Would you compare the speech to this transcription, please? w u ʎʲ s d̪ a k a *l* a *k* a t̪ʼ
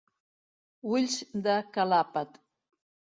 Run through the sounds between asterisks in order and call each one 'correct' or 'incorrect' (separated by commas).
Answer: correct, incorrect